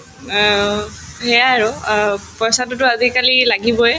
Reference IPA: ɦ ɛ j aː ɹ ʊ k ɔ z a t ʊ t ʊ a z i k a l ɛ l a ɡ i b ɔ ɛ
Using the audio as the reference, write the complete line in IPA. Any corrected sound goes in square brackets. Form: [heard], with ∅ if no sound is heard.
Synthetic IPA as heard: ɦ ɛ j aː ɹ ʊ [p] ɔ [s] a t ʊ t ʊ a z i k a l [i] l a ɡ i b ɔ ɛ